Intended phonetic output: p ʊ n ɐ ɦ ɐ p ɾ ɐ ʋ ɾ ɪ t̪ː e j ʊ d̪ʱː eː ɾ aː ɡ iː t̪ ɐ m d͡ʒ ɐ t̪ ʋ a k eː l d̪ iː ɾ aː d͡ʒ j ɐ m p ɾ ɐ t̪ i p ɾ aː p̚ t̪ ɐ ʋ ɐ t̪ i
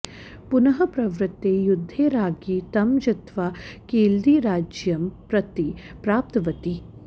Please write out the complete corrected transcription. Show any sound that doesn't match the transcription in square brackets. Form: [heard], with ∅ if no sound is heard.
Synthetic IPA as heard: p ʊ n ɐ ɦ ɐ p ɾ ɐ ʋ ɾ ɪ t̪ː e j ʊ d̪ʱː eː ɾ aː ɡ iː t̪ ɐ m d͡ʒ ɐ t̪ ʋ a k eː l d̪ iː ɾ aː d͡ʒ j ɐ m p ɾ ɐ t̪ i p ɾ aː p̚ t̪ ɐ ʋ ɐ t̪ i